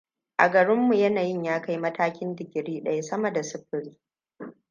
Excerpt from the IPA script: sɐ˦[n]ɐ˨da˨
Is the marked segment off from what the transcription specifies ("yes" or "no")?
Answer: yes